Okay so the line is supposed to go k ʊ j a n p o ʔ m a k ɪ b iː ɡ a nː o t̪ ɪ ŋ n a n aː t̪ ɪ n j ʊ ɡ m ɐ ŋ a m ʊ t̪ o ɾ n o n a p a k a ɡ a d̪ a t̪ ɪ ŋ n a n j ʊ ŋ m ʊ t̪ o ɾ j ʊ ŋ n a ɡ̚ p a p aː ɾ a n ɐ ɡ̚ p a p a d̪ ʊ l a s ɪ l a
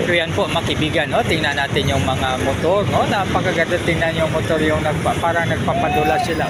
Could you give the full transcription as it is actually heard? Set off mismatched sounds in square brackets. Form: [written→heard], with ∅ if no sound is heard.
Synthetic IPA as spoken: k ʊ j a n p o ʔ m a k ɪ b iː ɡ a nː o t̪ ɪ ŋ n a n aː t̪ ɪ n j ʊ [ɡ→ŋ] m ɐ ŋ a m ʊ t̪ o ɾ n o n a p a k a ɡ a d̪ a t̪ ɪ ŋ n a n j ʊ ŋ m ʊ t̪ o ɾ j ʊ ŋ n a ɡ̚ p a p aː ɾ a n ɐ ɡ̚ p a p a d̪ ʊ l a s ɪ l a